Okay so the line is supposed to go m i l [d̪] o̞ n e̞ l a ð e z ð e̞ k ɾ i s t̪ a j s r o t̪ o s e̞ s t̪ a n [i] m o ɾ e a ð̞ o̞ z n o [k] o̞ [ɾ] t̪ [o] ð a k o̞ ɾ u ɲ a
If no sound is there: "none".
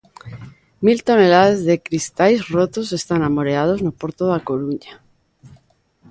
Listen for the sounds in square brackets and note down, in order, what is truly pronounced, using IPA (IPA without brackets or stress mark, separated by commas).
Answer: t̪, a, p, ɾ, o